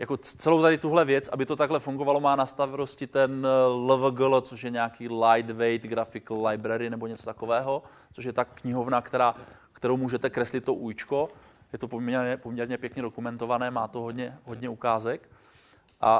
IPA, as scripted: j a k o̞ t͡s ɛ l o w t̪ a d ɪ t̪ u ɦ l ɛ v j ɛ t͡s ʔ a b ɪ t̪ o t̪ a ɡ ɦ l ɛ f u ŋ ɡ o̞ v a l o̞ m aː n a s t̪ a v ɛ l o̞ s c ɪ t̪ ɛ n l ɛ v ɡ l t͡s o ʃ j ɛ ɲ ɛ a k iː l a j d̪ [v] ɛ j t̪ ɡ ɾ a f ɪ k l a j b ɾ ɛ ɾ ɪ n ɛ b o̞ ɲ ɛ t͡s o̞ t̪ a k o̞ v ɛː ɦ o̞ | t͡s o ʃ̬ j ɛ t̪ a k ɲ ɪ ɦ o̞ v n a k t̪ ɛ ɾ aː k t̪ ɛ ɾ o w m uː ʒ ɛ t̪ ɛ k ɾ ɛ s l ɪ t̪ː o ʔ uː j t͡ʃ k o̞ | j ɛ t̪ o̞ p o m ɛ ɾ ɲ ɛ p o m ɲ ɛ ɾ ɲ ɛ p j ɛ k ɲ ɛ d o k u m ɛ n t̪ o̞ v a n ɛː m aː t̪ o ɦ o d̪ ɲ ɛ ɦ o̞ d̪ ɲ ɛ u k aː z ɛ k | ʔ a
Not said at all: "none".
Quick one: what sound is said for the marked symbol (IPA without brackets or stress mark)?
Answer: v